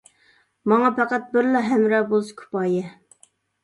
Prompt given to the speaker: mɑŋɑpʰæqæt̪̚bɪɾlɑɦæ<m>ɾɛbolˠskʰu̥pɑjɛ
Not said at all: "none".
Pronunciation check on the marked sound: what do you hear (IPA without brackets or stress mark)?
m